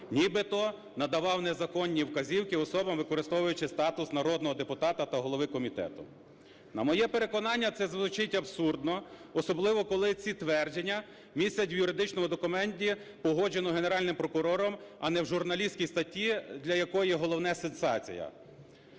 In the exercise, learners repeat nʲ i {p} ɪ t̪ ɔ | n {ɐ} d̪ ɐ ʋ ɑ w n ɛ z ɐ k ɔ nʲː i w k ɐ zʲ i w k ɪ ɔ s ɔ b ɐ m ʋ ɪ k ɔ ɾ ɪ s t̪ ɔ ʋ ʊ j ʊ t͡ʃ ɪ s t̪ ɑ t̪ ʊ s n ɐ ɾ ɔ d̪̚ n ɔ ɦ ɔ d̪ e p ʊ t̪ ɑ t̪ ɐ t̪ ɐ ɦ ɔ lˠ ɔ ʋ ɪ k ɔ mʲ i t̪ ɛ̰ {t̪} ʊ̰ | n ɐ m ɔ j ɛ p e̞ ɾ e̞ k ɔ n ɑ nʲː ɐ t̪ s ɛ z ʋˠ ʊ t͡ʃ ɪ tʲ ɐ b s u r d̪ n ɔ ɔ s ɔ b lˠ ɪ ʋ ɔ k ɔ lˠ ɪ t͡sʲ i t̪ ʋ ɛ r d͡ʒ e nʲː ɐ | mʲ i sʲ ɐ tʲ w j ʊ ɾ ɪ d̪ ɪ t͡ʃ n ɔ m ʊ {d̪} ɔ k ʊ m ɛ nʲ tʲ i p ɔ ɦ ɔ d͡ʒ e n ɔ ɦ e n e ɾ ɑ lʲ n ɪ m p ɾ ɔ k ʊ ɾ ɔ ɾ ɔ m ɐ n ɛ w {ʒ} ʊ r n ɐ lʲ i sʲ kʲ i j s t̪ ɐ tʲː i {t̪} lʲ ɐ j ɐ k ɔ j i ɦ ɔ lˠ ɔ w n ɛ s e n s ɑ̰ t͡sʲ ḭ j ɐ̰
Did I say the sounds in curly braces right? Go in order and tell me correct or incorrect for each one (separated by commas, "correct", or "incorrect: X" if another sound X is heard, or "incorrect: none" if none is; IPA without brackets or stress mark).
incorrect: b, correct, correct, correct, correct, incorrect: d̪